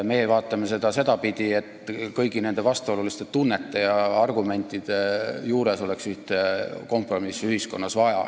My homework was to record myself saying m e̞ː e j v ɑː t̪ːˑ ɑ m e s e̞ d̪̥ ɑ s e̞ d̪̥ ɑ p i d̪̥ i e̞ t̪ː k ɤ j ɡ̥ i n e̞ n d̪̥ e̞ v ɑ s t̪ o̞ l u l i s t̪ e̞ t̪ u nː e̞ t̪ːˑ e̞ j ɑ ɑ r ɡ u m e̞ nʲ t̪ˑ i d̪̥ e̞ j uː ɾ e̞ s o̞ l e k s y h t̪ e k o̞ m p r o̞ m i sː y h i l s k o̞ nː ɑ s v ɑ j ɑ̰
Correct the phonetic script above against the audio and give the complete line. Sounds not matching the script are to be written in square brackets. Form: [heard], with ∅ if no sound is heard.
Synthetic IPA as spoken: m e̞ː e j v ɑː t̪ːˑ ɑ m e s e̞ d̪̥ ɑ s e̞ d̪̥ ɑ p i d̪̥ i e̞ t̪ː k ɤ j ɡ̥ i n e̞ n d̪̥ e̞ v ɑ s t̪ o̞ l u l i s t̪ e̞ t̪ u nː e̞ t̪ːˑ e̞ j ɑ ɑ r ɡ u m e̞ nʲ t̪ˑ i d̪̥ e̞ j uː ɾ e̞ s o̞ l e k s y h t̪ e k o̞ m p r o̞ m i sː y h i [∅] s k o̞ nː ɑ s v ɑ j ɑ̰

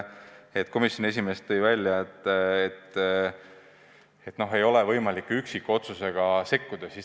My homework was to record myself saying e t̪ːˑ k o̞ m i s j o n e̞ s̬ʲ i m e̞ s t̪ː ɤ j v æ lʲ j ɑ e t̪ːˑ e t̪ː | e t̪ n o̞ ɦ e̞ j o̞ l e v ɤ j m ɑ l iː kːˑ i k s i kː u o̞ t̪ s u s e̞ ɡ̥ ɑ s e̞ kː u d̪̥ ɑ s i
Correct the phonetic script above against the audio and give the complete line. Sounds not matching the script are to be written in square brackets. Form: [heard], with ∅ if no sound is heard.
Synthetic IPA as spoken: e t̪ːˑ k o̞ m i s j o n e̞ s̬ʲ i m e̞ s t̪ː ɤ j v æ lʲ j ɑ e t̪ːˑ e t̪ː | e t̪ n o̞ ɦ e̞ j o̞ l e v ɤ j m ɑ l [i] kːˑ [y] k s i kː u o̞ t̪ s u s e̞ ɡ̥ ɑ s e̞ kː u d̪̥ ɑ s i

